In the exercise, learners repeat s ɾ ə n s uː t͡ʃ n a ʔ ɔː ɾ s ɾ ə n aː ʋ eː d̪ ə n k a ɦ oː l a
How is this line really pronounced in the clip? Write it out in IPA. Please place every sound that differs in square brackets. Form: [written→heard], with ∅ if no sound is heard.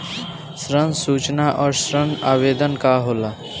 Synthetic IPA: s ɾ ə n s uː t͡ʃ n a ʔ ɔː ɾ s ɾ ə n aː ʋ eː d̪ ə n k a ɦ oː l a